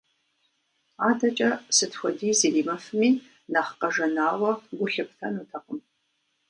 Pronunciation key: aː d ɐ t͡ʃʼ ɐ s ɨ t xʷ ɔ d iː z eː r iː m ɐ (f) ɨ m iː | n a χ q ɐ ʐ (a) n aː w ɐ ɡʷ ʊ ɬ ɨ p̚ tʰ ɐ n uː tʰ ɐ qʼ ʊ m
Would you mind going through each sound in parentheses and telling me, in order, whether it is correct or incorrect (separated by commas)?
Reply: correct, incorrect